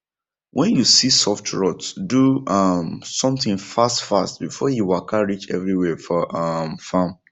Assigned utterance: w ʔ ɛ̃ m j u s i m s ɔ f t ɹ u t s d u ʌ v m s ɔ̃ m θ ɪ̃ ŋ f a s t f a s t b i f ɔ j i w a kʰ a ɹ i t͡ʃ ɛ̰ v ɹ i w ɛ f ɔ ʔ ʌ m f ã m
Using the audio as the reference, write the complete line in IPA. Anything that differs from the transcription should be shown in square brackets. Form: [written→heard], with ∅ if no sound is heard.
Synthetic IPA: w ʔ ɛ̃ [m→n] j u s i [m→∅] s ɔ f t ɹ [u→ɔ] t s d u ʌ [v→∅] m s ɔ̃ m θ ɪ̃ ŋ f a s t f a s t b i f ɔ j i w a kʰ a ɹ i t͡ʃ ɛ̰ v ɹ i w ɛ f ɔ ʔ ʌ m f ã m